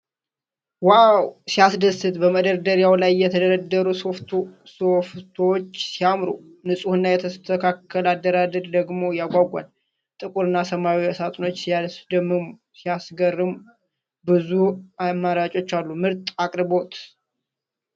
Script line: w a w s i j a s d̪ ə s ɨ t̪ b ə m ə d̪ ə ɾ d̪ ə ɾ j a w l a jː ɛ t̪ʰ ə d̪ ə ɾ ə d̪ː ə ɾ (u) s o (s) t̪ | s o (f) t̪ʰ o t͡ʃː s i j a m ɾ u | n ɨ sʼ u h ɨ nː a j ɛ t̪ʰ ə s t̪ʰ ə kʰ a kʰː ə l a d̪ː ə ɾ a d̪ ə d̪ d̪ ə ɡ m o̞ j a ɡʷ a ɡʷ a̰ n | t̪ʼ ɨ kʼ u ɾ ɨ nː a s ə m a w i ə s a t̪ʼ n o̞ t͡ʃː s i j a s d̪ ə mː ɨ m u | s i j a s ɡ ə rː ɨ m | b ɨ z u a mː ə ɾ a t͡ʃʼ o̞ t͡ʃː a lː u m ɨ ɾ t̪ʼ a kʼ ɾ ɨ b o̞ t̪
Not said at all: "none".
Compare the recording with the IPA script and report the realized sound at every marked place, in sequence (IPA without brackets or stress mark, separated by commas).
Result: u, f, f